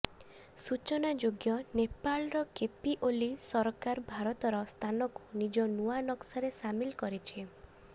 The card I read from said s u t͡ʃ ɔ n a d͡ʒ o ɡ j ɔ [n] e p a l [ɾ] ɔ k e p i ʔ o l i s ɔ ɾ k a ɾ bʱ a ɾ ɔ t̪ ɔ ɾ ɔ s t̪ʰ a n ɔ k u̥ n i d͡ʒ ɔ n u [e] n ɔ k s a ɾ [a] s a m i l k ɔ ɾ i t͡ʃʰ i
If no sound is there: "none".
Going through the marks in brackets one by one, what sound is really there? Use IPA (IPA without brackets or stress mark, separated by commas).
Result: n, ɾ, a, e